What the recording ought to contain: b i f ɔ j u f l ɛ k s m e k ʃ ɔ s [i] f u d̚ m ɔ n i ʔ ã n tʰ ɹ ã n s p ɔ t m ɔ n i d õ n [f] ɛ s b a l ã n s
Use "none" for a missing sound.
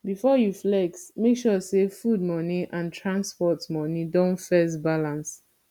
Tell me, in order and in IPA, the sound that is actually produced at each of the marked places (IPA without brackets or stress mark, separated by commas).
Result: e, f